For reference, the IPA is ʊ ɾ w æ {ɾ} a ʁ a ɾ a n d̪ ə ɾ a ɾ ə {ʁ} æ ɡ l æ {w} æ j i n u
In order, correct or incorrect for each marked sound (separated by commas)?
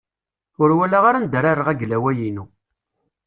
incorrect, correct, correct